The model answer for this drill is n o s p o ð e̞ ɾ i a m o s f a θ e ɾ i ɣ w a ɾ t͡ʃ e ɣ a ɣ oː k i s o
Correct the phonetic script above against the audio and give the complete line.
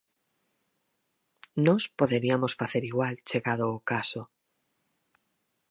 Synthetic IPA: n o s p o ð e̞ ɾ i a m o s f a θ e ɾ i ɣ w a l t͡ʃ e ɣ a ð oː k a s o